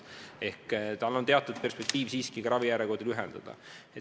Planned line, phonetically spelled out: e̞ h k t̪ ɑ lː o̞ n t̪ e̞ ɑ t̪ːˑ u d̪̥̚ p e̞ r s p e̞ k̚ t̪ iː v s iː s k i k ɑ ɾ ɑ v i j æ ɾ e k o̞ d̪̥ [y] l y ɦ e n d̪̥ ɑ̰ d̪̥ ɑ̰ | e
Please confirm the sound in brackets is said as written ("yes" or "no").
no